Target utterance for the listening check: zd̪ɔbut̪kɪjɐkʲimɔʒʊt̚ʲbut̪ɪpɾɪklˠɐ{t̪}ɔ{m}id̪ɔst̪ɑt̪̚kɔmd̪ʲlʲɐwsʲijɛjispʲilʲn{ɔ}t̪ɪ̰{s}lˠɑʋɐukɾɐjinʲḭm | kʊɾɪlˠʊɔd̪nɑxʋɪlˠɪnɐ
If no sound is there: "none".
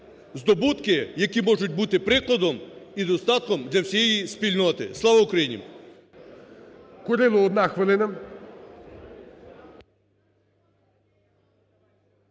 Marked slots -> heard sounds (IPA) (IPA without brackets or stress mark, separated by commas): d̪, m, ɔ, s